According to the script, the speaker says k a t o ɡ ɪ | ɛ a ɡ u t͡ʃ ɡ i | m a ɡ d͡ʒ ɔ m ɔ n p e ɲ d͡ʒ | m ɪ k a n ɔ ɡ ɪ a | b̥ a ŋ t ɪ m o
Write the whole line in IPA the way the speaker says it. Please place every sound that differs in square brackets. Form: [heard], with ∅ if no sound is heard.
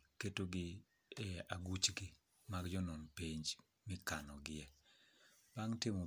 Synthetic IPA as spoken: k [e] t o ɡ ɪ | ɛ a ɡ u t͡ʃ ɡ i | m a ɡ d͡ʒ ɔ [n] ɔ n p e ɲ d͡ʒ | m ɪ k a n ɔ ɡ ɪ [ɛ] | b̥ a ŋ t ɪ m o